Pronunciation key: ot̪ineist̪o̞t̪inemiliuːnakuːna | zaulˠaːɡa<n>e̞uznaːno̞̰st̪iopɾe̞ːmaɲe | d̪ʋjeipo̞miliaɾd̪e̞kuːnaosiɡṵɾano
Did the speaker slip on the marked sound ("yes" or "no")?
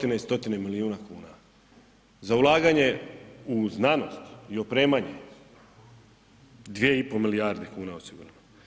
yes